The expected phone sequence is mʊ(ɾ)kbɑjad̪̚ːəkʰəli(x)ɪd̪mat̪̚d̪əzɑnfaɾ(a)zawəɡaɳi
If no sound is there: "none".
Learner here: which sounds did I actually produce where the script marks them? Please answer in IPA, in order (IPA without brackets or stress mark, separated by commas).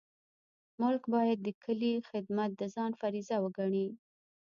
l, x, i